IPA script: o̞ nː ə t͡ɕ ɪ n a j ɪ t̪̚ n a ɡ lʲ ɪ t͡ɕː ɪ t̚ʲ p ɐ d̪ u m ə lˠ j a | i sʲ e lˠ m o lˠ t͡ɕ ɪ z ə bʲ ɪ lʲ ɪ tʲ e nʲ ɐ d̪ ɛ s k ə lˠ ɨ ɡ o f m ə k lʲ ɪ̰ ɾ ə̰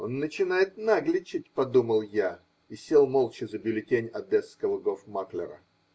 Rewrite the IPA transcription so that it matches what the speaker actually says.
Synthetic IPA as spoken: o̞ nː ə t͡ɕ ɪ n a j ɪ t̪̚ n a ɡ lʲ ɪ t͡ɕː ɪ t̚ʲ p ɐ d̪ u m ə lˠ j a | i sʲ e lˠ m o lˠ t͡ɕ ɪ z ə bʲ ɪ lʲ ɪ tʲ e nʲ ɐ d̪ ɛ s k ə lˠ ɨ ɡ o f m a k lʲ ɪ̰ ɾ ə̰